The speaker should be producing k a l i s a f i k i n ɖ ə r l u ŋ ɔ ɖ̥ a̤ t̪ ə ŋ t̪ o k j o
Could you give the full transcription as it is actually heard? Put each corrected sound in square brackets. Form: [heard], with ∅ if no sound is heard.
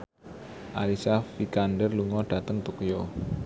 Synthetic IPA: [ʔ] a l i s a f i k [a] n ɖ ə r l u ŋ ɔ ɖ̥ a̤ t̪ ə ŋ t̪ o k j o